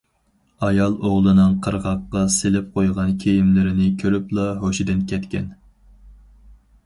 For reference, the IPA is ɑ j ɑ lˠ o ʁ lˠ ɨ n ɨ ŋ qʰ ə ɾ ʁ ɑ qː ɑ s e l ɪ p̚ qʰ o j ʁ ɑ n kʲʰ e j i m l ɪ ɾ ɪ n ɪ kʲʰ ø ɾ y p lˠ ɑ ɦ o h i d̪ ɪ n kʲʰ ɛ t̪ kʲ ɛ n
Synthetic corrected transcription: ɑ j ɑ lˠ o ʁ lˠ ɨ n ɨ ŋ qʰ ə ɾ ʁ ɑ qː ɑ s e l ɪ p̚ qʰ o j ʁ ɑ n kʲʰ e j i m l ɪ ɾ ɪ n ɪ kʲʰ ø ɾ y p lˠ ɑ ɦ o ʃ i d̪ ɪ n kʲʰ ɛ t̪ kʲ ɛ n